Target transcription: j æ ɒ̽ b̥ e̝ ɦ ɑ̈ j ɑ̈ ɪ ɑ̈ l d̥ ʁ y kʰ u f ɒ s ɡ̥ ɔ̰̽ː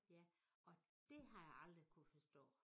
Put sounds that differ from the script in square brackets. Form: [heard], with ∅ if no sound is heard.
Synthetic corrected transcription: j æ ɒ̽ [d̥] e̝ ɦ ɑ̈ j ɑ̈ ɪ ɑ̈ l d̥ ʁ [i] kʰ u f ɒ s [d̥] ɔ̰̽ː